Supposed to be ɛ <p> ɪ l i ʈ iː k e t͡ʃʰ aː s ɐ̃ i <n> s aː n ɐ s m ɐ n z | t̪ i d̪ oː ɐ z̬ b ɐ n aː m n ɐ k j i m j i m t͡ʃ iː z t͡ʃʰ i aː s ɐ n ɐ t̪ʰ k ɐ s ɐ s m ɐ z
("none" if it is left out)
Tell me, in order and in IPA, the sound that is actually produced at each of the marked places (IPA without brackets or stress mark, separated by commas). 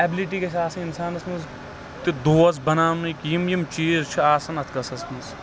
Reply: b, n